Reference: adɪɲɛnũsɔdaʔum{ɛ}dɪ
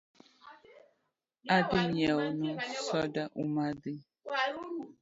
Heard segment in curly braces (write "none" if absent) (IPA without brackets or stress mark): a